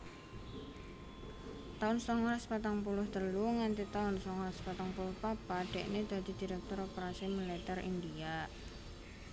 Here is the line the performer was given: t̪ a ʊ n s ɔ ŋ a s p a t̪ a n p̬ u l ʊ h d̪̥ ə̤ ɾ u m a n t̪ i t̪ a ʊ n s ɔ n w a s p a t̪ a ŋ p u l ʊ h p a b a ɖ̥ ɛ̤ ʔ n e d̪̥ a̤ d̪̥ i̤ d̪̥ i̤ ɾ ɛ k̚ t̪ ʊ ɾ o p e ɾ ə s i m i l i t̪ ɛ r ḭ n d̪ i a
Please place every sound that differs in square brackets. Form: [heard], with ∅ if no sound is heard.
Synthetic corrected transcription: t̪ a ʊ n s ɔ ŋ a s p a t̪ a [ŋ] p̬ u l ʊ h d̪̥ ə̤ [l] u [ŋ] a n t̪ i t̪ a ʊ n s ɔ [ŋ] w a s p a t̪ a ŋ p u l ʊ h p a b a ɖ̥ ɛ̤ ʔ n e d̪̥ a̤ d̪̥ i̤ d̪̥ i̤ ɾ ɛ k̚ t̪ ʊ ɾ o p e ɾ [a] s i m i l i t̪ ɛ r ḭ n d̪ i a